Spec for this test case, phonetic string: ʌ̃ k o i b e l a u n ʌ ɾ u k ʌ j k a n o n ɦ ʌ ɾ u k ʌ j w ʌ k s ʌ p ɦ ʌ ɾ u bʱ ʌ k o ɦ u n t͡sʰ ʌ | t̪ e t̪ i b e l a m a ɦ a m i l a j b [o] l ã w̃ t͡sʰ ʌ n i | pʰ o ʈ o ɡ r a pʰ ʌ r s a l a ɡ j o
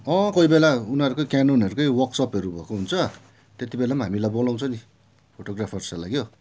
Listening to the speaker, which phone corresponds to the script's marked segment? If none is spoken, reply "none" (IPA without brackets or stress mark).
o